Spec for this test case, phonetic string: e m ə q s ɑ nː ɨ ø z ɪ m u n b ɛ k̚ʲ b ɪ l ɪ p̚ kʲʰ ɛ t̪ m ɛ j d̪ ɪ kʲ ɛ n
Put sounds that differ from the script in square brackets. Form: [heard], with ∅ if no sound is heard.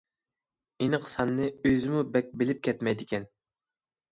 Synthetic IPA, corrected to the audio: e [n] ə q s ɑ nː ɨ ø z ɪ m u [∅] b ɛ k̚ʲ b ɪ l ɪ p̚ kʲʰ ɛ t̪ m ɛ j d̪ ɪ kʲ ɛ n